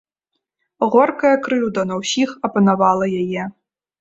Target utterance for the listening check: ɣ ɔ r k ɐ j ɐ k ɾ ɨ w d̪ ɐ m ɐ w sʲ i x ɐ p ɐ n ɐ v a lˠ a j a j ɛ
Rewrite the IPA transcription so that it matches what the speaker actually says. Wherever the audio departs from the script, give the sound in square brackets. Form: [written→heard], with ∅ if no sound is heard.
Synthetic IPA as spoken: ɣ ɔ r k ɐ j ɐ k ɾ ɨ w d̪ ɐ [m→n] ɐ w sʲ i x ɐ p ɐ n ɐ v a lˠ [a→ɐ] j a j ɛ

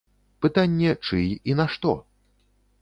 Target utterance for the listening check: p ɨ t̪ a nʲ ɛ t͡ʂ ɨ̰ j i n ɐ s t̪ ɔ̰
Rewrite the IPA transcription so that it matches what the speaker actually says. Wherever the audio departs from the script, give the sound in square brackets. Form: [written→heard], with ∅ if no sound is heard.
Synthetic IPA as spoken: p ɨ t̪ a [nʲ→nʲː] ɛ t͡ʂ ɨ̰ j i n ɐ [s→ʂ] t̪ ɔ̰

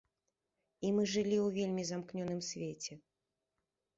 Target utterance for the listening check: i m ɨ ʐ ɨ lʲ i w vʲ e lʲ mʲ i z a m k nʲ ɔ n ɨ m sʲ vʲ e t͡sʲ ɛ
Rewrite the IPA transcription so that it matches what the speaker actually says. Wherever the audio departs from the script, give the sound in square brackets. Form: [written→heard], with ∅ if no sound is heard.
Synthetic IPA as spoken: i m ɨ ʐ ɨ lʲ i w vʲ e lʲ mʲ i z a m k nʲ ɔ n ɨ m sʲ vʲ e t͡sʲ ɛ

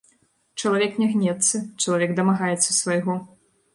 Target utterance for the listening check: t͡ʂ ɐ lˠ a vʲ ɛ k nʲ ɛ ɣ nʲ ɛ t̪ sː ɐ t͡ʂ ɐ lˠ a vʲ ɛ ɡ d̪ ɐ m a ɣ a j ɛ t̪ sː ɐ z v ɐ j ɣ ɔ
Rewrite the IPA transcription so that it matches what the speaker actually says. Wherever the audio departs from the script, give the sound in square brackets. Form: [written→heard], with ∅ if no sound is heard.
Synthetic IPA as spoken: t͡ʂ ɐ lˠ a vʲ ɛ k nʲ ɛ ɣ nʲ ɛ t̪ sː ɐ t͡ʂ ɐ lˠ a vʲ ɛ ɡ d̪ ɐ m a ɣ a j ɛ t̪ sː ɐ [z→s] v ɐ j ɣ ɔ

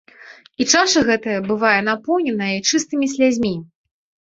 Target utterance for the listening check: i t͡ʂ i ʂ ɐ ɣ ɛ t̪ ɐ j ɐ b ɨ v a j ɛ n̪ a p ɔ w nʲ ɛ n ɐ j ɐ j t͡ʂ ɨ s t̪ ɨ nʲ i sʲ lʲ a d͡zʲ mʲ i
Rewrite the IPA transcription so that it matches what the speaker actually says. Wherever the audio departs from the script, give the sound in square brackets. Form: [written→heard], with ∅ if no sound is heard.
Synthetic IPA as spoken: i t͡ʂ [i→a] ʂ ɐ ɣ ɛ t̪ ɐ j ɐ b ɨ v a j ɛ n̪ a p ɔ w nʲ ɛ n ɐ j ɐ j t͡ʂ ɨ s t̪ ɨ [nʲ→mʲ] i sʲ lʲ a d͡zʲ mʲ i

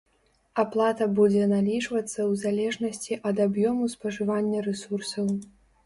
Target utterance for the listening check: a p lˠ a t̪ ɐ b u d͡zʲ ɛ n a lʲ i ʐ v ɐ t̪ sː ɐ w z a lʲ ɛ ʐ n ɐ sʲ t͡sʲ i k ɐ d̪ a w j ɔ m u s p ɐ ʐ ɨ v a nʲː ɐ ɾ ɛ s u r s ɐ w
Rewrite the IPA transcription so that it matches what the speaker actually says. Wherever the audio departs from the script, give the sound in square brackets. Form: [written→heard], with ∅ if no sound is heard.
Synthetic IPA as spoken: a p lˠ a t̪ ɐ b u d͡zʲ ɛ n a lʲ i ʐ v ɐ t̪ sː ɐ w z a lʲ ɛ ʐ n ɐ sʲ t͡sʲ i [k→ʔ] ɐ d̪ a [w→b] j ɔ m u s p ɐ ʐ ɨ v a nʲː ɐ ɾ ɛ s u r s ɐ w

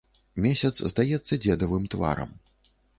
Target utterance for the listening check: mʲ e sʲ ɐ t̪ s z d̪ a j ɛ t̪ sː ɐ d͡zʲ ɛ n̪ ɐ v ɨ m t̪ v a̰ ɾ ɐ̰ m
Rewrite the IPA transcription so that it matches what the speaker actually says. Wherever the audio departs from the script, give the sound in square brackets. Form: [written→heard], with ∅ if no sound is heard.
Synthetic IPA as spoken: mʲ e sʲ ɐ t̪ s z d̪ a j ɛ t̪ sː ɐ d͡zʲ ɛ [n̪→d̪] ɐ v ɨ m t̪ v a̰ ɾ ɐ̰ m

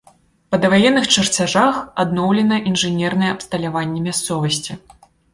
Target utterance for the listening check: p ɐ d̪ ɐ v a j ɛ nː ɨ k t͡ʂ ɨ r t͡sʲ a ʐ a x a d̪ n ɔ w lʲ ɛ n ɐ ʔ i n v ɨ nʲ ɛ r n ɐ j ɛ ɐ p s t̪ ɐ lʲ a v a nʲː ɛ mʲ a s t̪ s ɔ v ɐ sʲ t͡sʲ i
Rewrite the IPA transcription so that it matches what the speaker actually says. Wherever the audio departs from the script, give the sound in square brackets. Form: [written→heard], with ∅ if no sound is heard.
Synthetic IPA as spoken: p ɐ d̪ ɐ v a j ɛ nː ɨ [k→x] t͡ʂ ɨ r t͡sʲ a ʐ a x a d̪ n ɔ w lʲ ɛ n ɐ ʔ i n [v→ʐ] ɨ nʲ ɛ r n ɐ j ɛ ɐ p s t̪ ɐ lʲ a v a nʲː ɛ mʲ a s t̪ s ɔ v ɐ sʲ t͡sʲ i

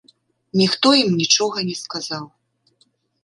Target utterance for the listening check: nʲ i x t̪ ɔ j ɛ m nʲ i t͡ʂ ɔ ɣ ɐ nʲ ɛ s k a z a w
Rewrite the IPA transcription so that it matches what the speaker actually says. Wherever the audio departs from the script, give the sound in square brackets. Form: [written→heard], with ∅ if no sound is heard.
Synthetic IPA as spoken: nʲ i x t̪ ɔ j [ɛ→i] m nʲ i t͡ʂ ɔ ɣ ɐ nʲ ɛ s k a z a w

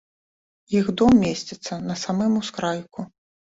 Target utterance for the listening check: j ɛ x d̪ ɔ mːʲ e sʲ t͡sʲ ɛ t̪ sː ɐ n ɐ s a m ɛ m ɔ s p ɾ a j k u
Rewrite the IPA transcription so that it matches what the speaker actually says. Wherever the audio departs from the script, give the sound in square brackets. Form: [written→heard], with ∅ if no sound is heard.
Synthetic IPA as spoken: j [ɛ→i] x d̪ ɔ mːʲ e sʲ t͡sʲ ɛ t̪ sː ɐ n ɐ s a m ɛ m [ɔ→u] s [p→k] ɾ a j k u

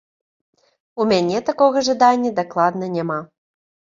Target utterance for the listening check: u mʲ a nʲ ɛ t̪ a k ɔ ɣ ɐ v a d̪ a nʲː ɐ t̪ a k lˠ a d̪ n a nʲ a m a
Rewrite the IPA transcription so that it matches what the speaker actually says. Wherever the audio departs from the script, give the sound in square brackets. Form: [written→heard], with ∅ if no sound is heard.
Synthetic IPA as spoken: u mʲ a nʲ ɛ t̪ a k ɔ ɣ ɐ [v→ʐ] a d̪ a nʲː ɐ [t̪→d̪] a k lˠ a d̪ n [a→ɐ] nʲ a m a

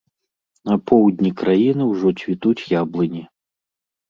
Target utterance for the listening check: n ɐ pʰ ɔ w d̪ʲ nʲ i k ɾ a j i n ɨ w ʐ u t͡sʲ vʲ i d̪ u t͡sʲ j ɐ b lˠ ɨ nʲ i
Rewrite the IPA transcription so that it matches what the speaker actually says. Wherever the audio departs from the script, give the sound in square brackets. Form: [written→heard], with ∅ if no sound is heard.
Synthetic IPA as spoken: n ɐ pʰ ɔ w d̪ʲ nʲ i k ɾ a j i n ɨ w ʐ [u→ɔ] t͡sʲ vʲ i [d̪→t̪] u t͡sʲ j [ɐ→a] b lˠ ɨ nʲ i

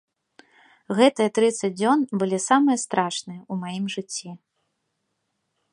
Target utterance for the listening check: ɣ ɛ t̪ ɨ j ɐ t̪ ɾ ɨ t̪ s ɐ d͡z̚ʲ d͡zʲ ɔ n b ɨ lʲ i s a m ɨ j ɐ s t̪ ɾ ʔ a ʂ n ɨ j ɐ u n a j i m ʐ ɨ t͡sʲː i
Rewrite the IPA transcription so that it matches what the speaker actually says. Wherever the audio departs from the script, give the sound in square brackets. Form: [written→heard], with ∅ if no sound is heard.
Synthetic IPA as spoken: ɣ ɛ t̪ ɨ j ɐ t̪ ɾ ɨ t̪ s ɐ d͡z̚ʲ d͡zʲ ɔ n b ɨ lʲ i s a m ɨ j ɐ s t̪ ɾ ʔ a ʂ n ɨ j ɐ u [n→m] a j i m ʐ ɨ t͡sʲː i

